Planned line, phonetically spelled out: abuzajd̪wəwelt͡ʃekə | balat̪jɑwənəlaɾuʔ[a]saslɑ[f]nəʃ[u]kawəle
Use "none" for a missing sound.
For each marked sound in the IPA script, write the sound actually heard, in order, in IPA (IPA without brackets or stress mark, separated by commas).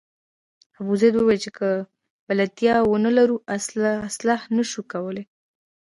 a, h, u